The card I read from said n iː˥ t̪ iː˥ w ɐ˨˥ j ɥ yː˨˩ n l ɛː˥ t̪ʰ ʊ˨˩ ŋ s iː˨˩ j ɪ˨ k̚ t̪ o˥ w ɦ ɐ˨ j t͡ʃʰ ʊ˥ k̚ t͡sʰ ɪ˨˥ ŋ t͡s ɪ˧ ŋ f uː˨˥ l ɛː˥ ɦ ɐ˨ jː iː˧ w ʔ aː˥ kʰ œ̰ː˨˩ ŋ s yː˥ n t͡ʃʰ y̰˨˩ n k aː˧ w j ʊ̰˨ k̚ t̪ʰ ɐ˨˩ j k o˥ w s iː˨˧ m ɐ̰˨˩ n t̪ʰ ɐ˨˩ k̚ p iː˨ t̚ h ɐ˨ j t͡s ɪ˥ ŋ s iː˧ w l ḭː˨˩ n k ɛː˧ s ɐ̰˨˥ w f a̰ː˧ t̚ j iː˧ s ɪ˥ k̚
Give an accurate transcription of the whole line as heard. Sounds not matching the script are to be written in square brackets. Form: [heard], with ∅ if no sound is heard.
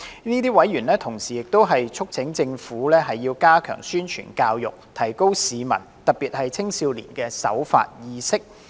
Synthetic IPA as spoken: n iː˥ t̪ iː˥ w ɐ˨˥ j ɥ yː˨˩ n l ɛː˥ t̪ʰ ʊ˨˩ ŋ s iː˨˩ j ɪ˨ k̚ t̪ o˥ w ɦ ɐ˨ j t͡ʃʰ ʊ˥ k̚ t͡sʰ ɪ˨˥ ŋ t͡s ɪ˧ ŋ f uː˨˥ l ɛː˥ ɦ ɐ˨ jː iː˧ w [k] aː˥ kʰ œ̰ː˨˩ ŋ s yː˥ n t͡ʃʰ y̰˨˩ n k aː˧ w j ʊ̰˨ k̚ t̪ʰ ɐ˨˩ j k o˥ w s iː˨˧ m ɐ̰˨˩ n [t̪] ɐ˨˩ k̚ p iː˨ t̚ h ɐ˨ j [t͡sʰ] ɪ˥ ŋ s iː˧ w l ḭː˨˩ n k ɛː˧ s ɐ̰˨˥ w f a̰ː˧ t̚ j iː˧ s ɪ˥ k̚